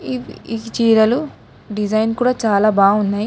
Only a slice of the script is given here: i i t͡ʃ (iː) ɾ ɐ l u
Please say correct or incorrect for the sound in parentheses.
correct